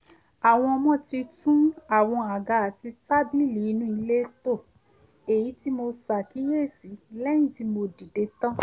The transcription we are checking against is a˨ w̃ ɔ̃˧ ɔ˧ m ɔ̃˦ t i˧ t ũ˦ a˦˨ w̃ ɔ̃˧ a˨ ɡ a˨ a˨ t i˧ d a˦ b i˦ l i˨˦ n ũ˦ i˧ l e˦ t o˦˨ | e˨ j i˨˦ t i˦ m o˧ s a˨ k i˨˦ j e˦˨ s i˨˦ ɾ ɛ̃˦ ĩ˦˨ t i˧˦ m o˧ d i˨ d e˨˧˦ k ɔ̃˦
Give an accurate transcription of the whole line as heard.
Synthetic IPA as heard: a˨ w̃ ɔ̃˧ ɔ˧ m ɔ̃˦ t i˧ t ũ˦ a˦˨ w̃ ɔ̃˧ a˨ ɡ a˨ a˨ t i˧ t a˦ b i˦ l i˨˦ n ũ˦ i˧ l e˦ t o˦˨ | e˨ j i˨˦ t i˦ m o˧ s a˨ k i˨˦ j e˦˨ s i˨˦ l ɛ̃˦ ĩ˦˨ t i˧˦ m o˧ d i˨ d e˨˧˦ t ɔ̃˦